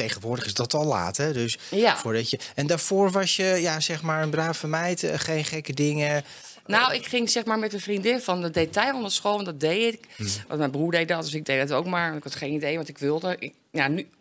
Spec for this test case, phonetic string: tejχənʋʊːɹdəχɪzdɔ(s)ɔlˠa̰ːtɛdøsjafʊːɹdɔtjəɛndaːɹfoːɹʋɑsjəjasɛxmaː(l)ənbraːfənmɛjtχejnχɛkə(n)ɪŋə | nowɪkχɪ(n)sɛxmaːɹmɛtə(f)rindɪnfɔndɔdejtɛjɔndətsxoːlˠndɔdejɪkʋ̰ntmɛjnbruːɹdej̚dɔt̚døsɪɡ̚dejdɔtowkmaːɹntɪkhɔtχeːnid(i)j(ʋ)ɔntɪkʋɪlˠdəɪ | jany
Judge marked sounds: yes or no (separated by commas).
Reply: no, no, no, no, yes, no, yes